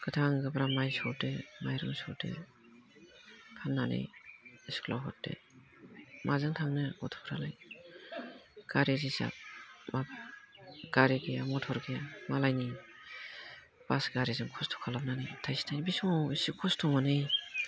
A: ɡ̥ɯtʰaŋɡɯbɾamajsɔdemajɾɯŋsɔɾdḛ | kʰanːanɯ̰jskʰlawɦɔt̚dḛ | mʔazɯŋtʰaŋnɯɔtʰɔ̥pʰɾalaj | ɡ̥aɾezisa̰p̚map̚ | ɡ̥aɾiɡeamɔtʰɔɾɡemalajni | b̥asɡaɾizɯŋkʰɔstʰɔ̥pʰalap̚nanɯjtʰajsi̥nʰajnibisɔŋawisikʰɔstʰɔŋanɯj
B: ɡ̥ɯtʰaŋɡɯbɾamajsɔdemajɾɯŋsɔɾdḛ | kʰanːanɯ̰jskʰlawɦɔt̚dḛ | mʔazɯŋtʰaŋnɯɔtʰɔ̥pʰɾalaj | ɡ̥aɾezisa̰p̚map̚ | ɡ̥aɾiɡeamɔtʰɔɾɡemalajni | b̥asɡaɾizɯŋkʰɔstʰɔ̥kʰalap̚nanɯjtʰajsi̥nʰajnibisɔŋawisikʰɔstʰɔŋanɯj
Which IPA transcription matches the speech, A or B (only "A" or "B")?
B